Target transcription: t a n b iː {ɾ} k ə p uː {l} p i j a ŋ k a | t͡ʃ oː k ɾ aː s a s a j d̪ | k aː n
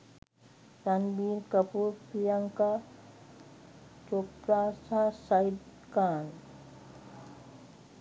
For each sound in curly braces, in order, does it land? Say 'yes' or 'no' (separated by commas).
yes, no